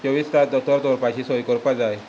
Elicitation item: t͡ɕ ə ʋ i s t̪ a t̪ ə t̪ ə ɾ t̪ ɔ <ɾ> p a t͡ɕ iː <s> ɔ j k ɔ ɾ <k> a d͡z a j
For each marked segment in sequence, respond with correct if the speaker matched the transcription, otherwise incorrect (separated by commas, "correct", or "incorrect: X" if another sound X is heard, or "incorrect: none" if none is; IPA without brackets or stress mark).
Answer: correct, correct, incorrect: p